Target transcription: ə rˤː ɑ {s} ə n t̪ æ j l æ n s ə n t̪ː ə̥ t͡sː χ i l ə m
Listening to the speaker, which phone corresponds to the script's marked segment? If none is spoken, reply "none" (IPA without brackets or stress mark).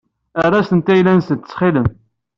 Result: s